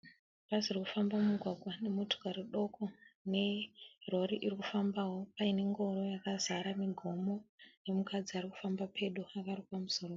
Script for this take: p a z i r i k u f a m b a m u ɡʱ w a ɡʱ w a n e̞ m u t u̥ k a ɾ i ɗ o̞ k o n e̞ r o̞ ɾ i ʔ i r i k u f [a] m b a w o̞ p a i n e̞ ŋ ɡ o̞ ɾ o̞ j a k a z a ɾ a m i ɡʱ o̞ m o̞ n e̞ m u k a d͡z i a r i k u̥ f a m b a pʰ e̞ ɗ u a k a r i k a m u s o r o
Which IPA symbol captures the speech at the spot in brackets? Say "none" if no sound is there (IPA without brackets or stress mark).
a